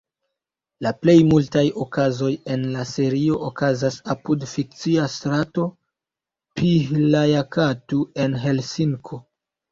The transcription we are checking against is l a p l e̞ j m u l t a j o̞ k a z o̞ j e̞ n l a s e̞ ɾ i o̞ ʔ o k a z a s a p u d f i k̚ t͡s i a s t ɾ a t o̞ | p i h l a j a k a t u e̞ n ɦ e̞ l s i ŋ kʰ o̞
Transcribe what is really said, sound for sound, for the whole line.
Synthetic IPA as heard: l a p l e̞ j m u l t a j o̞ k a z o̞ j e̞ n l a s e̞ ɾ i o̞ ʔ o k a z a s a p u d f i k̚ t͡s i a s t ɾ a t o̞ | p i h l a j a k a t u e̞ n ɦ e̞ l s i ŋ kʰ o̞